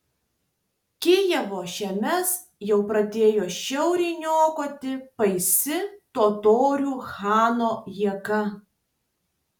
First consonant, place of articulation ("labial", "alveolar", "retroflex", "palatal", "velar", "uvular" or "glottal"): velar